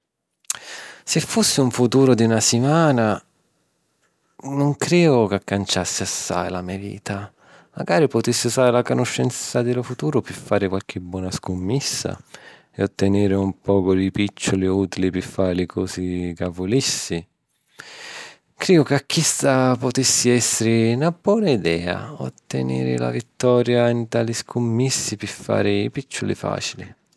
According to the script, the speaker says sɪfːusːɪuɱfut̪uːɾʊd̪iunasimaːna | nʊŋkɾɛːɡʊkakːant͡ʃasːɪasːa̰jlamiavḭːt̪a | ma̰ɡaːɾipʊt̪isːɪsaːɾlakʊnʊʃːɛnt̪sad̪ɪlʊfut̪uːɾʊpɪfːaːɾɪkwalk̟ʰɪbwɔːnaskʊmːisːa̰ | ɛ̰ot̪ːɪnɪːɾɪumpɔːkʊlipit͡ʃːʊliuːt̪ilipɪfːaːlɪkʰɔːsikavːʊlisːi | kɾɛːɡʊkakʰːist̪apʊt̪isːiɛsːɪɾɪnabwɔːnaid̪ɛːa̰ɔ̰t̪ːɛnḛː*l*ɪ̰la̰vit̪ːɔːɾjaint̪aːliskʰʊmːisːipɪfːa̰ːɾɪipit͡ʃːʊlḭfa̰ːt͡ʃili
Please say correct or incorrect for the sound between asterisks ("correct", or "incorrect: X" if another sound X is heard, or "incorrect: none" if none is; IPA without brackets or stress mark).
incorrect: ɾ